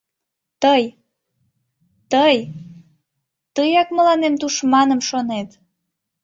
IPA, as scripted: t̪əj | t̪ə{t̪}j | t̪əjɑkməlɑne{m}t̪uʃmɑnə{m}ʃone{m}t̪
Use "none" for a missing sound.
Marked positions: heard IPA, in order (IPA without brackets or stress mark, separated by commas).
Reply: none, m, m, none